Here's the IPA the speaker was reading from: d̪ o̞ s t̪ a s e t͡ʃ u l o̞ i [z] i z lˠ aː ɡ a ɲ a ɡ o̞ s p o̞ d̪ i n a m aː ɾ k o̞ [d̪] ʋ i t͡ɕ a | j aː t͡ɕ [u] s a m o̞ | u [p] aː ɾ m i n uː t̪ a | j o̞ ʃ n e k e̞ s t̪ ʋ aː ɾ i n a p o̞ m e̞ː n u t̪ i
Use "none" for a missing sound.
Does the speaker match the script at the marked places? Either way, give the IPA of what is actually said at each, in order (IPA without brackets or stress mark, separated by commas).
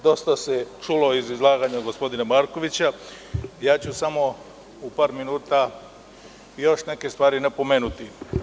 z, none, u, p